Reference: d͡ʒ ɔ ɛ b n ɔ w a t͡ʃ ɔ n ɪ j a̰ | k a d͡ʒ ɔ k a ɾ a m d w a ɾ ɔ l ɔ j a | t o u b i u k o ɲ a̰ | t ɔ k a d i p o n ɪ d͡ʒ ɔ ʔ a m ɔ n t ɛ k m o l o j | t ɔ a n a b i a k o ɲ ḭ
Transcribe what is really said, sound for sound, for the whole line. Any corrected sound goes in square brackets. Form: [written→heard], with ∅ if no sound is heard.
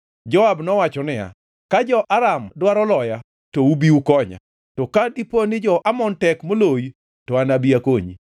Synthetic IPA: d͡ʒ ɔ [ɛ→a] b n ɔ w a t͡ʃ ɔ n ɪ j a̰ | k a d͡ʒ ɔ [k→ʔ] a ɾ a m d w a ɾ ɔ l ɔ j a | t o u b i u k [o→ɔ] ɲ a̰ | t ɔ k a d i p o n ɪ d͡ʒ ɔ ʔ a m ɔ n t ɛ k m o l o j | t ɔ a n a b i a k o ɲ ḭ